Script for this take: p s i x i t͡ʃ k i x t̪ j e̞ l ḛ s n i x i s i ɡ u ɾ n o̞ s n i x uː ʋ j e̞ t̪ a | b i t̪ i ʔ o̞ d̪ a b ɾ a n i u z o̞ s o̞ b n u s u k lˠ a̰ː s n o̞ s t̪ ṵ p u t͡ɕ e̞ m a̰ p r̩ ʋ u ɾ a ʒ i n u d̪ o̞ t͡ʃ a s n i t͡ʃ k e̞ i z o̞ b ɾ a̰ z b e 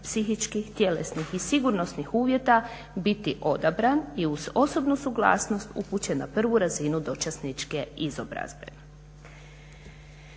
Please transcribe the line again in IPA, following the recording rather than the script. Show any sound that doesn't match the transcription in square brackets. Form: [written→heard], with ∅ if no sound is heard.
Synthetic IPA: p s i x i t͡ʃ k i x t̪ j e̞ l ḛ s n i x i s i ɡ u ɾ n o̞ s n i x uː ʋ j e̞ t̪ a | b i t̪ i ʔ o̞ d̪ a b ɾ a n i u z o̞ s o̞ b n u s u [k→ɡ] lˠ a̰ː s n o̞ s t̪ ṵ p u t͡ɕ e̞ [m→n] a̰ p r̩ ʋ u ɾ a [ʒ→z] i n u d̪ o̞ t͡ʃ a s n i t͡ʃ k e̞ i z o̞ b ɾ a̰ z b e